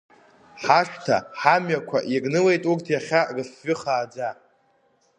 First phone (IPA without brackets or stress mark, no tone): ħ